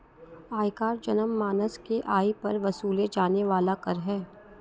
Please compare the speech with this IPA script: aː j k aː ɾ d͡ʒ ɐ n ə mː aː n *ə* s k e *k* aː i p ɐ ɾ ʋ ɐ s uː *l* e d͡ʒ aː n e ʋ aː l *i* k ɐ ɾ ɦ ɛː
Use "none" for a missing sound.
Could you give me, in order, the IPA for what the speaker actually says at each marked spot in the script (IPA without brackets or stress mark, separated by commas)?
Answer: ə, ʔ, l, a